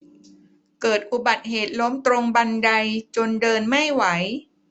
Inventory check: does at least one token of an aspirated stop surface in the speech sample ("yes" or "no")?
no